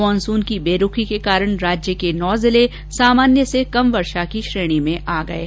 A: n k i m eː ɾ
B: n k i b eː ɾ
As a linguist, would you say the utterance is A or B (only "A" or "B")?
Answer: B